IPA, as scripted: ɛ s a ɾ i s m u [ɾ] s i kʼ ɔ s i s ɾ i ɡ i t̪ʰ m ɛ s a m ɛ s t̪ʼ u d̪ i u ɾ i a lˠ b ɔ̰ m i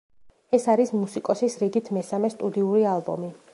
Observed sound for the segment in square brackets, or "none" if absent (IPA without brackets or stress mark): none